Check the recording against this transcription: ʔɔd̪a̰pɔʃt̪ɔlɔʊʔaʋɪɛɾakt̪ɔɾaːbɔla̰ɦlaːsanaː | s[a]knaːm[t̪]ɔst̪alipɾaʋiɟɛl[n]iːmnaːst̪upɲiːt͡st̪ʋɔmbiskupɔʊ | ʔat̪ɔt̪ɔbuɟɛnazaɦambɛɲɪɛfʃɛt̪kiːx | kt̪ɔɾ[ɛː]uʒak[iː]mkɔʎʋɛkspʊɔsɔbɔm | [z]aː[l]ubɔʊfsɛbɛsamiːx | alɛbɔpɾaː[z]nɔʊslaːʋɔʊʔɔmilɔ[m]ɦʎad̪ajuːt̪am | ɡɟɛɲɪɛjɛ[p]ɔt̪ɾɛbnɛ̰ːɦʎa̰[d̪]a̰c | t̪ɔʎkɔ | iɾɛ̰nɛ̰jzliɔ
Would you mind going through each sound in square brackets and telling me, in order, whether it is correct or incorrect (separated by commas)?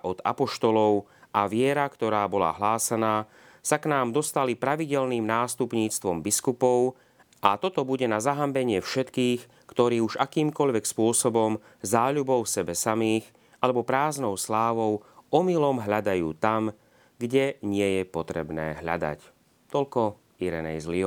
correct, incorrect, correct, incorrect, correct, correct, incorrect, correct, correct, correct, correct